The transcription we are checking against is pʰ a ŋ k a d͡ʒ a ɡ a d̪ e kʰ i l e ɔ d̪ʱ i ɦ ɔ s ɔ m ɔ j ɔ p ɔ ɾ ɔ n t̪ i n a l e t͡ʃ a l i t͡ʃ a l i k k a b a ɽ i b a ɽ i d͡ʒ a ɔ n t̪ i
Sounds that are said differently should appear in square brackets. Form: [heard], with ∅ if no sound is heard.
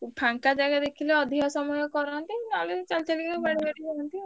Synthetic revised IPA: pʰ a ŋ k a d͡ʒ a ɡ a d̪ e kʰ i l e ɔ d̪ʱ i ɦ ɔ s ɔ m ɔ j ɔ [k] ɔ ɾ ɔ n t̪ i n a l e t͡ʃ a l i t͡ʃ a l i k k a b a ɽ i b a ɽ i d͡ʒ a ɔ n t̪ i